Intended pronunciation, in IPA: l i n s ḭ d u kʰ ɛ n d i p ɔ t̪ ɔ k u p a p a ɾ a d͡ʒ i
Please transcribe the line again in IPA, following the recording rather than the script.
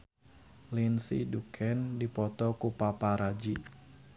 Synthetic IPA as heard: l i n s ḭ d u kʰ ɛ n d i p ɔ t̪ ɔ k u p a p a ɾ a d͡ʒ i